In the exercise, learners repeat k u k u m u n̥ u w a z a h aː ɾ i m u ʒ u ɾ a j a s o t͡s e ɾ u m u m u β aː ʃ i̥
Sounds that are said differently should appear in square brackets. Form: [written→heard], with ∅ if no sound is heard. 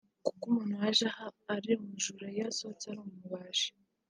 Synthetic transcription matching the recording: k u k u m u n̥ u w a [z→ʒ] a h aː ɾ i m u ʒ u ɾ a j a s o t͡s [e→a] ɾ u m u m u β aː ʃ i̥